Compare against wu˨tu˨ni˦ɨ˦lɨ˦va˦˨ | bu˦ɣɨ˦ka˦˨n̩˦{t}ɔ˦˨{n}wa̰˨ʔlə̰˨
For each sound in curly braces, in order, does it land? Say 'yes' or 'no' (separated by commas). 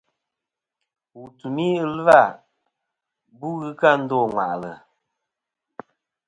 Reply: no, no